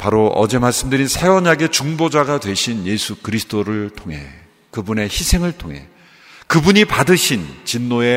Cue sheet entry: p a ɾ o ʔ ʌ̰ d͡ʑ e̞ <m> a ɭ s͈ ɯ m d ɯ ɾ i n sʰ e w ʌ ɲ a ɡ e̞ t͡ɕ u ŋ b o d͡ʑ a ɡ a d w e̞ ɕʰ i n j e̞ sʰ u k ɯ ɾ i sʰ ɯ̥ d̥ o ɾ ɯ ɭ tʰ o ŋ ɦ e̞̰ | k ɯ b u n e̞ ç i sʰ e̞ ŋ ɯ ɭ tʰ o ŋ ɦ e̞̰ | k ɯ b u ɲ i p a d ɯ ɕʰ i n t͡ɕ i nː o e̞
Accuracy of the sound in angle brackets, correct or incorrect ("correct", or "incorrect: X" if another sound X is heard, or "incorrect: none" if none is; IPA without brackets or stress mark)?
correct